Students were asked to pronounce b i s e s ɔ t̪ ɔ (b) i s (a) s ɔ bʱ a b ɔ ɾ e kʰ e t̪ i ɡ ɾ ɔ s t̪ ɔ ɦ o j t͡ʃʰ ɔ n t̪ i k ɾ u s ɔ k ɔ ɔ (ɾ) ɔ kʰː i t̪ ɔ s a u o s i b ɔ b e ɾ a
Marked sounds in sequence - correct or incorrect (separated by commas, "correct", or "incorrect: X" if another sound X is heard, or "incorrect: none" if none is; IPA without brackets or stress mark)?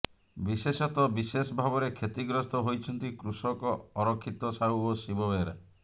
correct, incorrect: e, correct